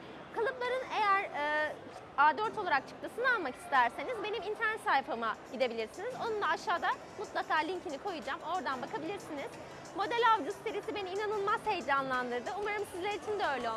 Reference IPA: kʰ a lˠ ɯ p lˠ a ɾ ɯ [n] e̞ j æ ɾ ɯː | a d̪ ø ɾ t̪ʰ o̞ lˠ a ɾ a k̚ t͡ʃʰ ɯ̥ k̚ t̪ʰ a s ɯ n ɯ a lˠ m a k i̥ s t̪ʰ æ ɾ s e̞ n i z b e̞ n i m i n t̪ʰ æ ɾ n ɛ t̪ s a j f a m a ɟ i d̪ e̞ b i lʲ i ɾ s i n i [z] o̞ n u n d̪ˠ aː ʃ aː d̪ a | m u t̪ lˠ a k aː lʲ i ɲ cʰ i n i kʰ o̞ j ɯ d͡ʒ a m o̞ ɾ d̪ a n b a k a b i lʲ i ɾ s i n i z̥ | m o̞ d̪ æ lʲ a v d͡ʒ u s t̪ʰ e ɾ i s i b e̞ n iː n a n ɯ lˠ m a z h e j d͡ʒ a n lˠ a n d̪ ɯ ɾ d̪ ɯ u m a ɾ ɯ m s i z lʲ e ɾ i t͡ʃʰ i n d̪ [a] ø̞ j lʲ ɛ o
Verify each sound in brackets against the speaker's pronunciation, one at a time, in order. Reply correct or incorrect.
correct, correct, incorrect

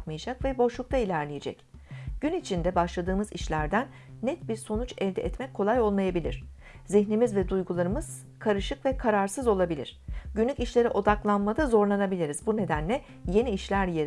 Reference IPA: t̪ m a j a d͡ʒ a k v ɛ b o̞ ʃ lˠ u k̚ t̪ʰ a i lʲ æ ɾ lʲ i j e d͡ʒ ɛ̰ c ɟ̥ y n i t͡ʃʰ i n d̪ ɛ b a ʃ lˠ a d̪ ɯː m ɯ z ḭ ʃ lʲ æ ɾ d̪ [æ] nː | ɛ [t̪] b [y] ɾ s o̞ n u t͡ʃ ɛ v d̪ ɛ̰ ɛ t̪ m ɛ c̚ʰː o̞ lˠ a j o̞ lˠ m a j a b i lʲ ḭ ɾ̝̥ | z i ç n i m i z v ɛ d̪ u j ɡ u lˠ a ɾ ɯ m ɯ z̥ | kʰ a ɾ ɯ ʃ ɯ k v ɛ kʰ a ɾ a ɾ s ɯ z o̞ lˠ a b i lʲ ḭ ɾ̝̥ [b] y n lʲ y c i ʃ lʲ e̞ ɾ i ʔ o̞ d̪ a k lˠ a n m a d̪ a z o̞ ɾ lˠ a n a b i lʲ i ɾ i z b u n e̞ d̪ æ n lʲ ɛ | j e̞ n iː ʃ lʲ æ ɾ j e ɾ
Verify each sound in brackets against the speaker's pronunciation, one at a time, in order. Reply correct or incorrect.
correct, correct, incorrect, incorrect

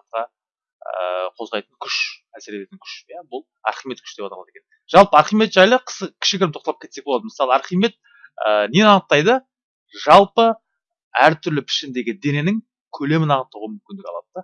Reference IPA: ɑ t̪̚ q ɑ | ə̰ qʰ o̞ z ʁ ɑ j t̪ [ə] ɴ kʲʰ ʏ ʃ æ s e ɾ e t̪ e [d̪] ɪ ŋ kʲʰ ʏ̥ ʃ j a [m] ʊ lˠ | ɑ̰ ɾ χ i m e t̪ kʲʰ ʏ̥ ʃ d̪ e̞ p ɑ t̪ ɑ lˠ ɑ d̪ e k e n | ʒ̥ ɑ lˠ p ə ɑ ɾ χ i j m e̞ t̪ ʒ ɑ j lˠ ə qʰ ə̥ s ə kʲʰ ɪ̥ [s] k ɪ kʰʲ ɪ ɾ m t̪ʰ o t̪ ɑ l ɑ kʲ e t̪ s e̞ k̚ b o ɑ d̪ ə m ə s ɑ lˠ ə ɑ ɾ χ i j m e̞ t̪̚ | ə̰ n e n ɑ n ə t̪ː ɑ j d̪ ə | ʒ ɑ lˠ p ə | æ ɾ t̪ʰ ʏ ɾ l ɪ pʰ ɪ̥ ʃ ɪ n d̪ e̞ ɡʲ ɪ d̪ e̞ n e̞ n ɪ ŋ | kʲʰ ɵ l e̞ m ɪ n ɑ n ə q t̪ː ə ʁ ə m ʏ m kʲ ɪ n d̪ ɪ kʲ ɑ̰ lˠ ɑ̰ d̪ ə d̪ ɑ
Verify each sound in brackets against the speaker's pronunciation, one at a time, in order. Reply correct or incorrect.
correct, incorrect, incorrect, incorrect

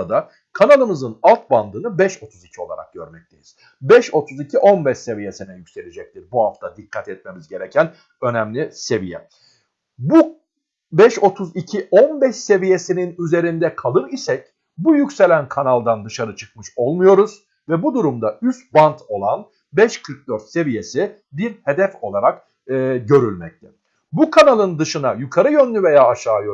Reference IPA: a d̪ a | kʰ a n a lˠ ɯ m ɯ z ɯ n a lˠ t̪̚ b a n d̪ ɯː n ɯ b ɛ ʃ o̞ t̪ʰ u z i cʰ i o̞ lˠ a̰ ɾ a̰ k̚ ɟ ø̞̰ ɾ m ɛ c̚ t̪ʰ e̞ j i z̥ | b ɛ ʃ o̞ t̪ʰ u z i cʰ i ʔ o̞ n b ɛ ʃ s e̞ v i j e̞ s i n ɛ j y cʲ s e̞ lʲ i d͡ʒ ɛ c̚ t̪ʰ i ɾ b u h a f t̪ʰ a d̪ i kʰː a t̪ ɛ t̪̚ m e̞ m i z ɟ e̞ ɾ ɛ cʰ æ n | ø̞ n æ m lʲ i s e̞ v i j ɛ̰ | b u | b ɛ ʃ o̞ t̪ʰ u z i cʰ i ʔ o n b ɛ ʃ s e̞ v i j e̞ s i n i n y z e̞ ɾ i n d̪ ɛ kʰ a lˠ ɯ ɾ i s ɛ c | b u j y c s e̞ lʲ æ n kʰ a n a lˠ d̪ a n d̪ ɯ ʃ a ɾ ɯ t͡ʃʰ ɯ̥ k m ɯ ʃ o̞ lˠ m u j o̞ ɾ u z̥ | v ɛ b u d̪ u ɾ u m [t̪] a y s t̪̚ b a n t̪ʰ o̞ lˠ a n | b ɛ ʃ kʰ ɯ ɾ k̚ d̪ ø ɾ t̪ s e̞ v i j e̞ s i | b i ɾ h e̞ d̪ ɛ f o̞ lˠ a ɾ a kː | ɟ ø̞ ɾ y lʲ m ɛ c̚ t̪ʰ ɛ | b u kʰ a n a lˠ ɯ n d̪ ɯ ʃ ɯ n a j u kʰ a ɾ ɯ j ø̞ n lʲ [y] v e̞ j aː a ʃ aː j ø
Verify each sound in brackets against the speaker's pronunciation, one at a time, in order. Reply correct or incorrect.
incorrect, correct

